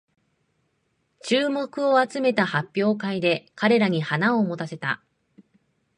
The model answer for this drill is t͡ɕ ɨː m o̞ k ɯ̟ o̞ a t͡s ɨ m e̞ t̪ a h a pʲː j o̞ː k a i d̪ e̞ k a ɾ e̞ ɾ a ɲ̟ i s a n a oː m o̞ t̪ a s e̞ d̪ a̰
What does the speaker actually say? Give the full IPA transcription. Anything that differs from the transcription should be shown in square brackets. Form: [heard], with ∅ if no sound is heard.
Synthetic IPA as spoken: t͡ɕ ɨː m o̞ k ɯ̟ o̞ a t͡s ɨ m e̞ t̪ a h a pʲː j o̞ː k a i d̪ e̞ k a ɾ e̞ ɾ a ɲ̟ i [h] a n a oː m o̞ t̪ a s e̞ [t̪] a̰